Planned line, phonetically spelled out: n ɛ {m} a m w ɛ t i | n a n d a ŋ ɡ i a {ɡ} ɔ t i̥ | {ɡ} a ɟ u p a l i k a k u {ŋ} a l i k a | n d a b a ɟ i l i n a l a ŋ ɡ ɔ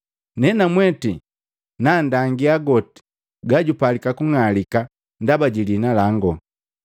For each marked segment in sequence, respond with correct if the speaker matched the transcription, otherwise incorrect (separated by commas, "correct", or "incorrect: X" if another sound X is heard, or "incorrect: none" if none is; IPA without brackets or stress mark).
incorrect: n, correct, correct, correct